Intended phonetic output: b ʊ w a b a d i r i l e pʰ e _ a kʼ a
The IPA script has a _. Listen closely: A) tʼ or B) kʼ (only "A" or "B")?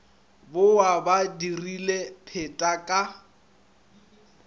A